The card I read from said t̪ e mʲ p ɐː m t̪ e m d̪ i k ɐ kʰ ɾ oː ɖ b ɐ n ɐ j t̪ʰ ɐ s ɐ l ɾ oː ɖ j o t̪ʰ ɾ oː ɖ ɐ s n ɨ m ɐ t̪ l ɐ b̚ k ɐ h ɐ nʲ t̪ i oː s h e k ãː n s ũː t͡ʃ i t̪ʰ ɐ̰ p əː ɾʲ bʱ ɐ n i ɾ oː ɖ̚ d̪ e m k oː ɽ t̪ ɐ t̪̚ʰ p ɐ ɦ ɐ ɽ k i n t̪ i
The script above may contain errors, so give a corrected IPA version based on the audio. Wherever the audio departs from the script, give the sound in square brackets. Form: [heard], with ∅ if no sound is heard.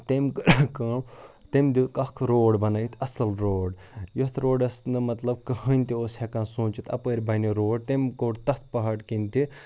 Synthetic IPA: t̪ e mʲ [k] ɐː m t̪ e m d̪ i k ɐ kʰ ɾ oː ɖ b ɐ n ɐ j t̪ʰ ɐ s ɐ l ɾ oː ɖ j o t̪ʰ ɾ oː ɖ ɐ s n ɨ m ɐ t̪ l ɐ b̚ k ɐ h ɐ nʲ t̪ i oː s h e k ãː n s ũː t͡ʃ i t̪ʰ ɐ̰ p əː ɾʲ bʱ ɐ n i ɾ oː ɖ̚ [t̪] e m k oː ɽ t̪ ɐ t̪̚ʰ p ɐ ɦ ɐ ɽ k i n t̪ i

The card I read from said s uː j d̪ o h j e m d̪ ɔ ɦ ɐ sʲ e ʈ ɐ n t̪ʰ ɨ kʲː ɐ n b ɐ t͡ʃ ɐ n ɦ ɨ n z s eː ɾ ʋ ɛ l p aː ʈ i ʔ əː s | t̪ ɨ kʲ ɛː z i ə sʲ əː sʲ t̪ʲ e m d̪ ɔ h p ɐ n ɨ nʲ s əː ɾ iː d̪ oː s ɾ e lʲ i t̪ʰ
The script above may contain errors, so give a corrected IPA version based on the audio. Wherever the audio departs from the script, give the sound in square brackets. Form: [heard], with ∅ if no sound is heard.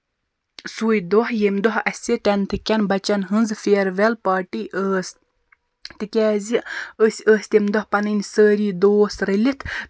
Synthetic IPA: s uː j d̪ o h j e m d̪ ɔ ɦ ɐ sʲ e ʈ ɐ n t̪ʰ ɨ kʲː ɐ n b ɐ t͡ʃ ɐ n ɦ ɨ n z [f] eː ɾ ʋ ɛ l p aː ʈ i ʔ əː s | t̪ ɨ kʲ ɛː z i ə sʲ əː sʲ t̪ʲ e m d̪ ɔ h p ɐ n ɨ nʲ s əː ɾ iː d̪ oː s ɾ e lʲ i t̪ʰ

